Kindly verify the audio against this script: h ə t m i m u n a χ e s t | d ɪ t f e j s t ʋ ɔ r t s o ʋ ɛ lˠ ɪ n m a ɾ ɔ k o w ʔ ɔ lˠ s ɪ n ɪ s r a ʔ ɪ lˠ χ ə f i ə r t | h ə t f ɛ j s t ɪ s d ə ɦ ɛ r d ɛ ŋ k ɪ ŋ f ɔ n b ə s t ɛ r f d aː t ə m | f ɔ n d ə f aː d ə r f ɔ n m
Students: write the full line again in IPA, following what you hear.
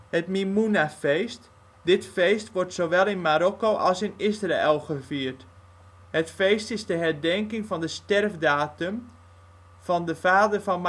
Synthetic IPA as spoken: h ə t m i m u n a f e s t | d ɪ t f e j s t ʋ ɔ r t s o ʋ ɛ lˠ ɪ n m a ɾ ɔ k o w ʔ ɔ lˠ s ɪ n ɪ s r a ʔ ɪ lˠ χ ə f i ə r t | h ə t f e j s t ɪ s d ə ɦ ɛ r d ɛ ŋ k ɪ ŋ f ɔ n d ə s t ɛ r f d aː t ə m | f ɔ n d ə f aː d ə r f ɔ n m